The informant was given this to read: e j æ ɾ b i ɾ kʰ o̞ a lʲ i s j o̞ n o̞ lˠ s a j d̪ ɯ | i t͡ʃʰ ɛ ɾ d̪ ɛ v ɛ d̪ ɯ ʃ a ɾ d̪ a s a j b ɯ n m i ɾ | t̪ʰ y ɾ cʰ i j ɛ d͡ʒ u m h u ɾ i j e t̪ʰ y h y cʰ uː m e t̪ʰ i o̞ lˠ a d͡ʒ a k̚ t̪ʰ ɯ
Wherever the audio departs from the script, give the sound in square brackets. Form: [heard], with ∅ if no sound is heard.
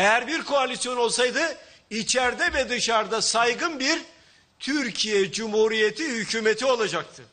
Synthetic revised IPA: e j æ ɾ b i ɾ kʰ o̞ a lʲ i s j o̞ n o̞ lˠ s a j d̪ ɯ | i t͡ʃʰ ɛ ɾ d̪ ɛ v ɛ d̪ ɯ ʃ a ɾ d̪ a s a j [ɡ] ɯ n [b] i ɾ | t̪ʰ y ɾ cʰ i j ɛ d͡ʒ u m h u ɾ i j e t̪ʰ [i] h y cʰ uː m e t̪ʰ i o̞ lˠ a d͡ʒ a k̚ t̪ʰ ɯ